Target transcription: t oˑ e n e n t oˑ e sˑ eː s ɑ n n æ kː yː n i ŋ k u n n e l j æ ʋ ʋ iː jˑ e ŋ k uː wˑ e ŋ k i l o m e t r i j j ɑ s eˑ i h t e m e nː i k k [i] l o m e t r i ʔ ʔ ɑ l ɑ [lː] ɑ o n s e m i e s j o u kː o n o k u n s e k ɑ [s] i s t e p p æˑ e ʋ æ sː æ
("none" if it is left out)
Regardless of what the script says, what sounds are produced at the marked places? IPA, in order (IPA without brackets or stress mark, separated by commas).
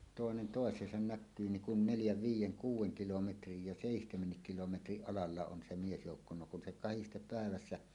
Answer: i, lː, h